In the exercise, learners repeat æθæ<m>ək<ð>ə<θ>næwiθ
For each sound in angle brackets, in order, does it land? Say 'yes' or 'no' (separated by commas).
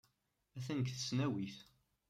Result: no, no, no